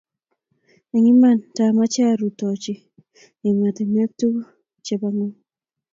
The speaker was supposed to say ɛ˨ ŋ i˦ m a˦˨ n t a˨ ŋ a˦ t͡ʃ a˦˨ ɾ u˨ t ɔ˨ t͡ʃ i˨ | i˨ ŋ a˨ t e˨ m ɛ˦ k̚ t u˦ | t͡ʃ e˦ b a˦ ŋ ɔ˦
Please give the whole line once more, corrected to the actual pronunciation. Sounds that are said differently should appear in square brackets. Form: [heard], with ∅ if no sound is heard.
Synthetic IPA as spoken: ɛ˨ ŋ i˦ m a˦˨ n t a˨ [m] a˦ t͡ʃ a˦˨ ɾ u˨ t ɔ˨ t͡ʃ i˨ | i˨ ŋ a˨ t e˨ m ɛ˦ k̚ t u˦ | t͡ʃ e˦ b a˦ ŋ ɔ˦